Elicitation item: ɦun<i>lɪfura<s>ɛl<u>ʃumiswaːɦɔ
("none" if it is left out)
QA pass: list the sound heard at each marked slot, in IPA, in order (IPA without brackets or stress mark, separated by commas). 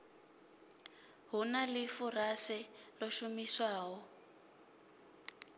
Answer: a, s, ɔ